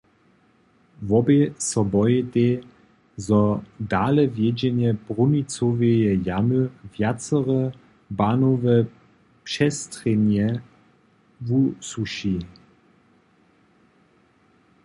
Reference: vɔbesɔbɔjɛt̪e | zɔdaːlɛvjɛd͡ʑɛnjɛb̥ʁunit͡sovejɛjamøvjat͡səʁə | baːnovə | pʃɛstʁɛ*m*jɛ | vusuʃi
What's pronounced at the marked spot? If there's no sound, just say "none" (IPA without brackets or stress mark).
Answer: n